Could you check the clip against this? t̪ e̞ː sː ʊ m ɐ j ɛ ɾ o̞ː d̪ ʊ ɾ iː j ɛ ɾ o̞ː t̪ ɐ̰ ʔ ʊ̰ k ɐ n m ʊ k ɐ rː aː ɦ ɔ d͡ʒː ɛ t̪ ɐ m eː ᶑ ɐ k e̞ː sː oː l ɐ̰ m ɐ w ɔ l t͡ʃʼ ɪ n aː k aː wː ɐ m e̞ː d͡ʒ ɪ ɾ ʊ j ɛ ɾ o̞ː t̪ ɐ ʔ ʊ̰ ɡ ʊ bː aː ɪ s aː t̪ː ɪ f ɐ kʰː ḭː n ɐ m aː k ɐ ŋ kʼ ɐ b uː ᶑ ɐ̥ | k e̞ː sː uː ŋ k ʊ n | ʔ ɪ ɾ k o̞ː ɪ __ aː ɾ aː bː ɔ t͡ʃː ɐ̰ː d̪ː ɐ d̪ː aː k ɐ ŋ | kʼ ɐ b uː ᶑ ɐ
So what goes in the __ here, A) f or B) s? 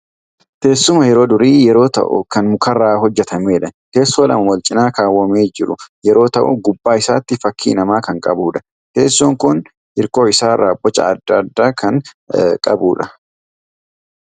B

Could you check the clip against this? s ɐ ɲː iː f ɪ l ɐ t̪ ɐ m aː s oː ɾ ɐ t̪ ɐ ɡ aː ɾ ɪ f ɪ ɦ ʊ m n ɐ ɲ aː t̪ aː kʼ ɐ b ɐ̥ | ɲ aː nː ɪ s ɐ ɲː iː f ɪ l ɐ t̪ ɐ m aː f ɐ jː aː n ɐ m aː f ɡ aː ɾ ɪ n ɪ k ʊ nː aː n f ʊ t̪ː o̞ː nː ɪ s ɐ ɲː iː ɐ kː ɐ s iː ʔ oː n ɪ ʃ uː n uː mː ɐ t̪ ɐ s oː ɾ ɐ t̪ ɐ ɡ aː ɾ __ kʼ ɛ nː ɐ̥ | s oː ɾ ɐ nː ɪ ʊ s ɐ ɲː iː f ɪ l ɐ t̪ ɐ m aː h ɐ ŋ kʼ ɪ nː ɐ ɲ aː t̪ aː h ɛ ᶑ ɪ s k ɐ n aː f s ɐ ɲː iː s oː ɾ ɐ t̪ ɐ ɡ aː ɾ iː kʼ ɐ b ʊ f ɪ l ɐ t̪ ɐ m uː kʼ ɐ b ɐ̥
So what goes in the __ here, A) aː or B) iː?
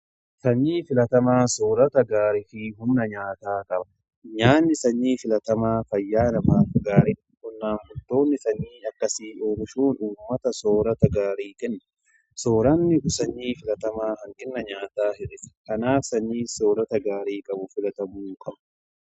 B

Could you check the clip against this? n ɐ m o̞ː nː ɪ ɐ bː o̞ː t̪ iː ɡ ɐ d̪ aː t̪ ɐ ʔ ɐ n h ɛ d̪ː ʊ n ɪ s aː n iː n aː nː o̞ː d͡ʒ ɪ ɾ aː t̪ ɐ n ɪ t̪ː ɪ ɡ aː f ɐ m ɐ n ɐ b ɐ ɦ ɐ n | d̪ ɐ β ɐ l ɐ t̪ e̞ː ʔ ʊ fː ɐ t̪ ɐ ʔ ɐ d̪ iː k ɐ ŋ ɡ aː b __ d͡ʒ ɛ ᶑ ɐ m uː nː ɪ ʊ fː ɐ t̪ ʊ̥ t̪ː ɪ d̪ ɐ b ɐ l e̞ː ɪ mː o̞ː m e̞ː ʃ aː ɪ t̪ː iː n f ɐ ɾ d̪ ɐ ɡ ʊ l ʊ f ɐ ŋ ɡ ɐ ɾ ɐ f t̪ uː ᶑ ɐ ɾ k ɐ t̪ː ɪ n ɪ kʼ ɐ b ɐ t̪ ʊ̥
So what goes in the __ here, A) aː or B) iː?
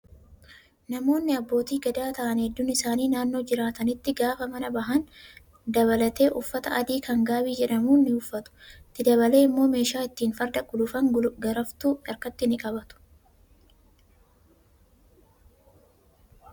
B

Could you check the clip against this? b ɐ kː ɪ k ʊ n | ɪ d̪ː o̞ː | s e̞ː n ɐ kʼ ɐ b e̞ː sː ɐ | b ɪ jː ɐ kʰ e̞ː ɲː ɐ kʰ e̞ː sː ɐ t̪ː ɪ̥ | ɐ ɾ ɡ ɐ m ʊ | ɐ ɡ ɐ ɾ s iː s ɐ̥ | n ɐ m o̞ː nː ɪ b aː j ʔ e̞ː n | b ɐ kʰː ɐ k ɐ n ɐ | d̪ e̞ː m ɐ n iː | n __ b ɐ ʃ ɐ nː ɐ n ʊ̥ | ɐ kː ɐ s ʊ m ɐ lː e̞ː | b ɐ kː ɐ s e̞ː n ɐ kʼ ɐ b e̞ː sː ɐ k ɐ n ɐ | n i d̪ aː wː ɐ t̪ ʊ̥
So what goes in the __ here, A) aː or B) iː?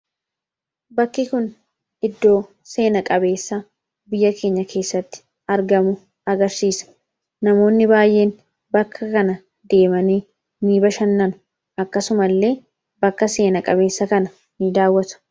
B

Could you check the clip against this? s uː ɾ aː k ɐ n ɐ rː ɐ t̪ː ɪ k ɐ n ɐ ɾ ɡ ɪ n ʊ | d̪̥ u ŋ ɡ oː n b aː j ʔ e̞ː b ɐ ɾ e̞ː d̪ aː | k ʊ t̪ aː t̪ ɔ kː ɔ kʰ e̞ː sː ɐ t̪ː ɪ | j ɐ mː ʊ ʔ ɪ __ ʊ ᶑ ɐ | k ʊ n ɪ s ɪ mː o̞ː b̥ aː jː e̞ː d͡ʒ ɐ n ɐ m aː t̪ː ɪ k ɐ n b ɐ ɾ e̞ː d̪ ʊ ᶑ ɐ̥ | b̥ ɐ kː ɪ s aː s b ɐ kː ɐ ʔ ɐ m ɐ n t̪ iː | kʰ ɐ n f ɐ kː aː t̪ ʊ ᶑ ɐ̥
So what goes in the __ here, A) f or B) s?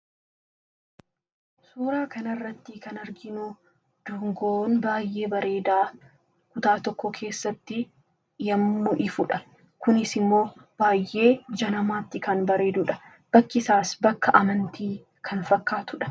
A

